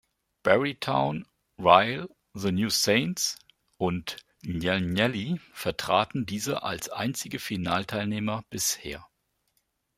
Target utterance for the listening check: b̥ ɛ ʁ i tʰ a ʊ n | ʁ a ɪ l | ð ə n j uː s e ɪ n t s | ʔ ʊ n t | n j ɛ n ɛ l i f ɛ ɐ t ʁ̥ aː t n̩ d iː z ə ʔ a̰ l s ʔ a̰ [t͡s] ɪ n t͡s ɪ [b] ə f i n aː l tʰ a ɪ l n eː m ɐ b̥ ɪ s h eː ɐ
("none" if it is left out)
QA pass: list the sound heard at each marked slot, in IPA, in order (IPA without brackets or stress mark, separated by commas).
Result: none, ɡ